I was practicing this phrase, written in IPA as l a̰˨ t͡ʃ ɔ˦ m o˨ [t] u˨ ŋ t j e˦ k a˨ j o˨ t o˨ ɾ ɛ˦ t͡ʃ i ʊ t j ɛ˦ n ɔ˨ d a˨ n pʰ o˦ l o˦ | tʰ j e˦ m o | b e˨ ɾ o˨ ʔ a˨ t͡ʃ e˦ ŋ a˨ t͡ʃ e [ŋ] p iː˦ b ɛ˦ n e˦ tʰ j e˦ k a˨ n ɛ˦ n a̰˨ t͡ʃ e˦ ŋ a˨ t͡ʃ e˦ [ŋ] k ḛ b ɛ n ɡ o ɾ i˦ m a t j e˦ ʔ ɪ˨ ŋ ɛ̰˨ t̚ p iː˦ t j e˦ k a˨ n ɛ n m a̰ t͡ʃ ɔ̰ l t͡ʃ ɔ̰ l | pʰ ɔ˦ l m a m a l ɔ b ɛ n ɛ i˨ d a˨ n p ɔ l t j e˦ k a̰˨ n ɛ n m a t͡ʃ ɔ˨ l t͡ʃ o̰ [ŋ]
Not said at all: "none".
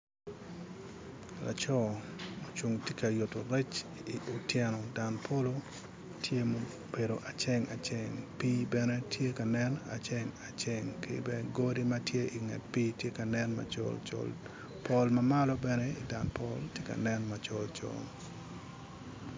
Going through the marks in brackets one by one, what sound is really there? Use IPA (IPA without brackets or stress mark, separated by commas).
t͡ʃ, ŋ, ŋ, ŋ